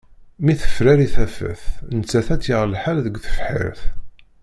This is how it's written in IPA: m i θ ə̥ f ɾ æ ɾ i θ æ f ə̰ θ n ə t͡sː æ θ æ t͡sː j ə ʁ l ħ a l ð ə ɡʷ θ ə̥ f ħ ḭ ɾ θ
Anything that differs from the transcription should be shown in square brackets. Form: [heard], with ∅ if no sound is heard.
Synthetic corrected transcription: m i θ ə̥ f ɾ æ ɾ i θ æ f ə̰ θ n ə t͡sː æ θ æ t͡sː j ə ʁ l ħ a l ð ə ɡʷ θ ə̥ f ħ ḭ ɾ θ